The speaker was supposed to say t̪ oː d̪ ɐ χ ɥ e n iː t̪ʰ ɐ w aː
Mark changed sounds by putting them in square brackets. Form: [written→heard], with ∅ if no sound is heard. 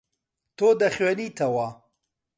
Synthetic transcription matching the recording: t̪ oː d̪ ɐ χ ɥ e n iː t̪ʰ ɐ w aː